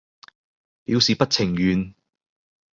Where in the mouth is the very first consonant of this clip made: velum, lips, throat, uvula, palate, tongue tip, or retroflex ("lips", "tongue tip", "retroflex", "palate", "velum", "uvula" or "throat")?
lips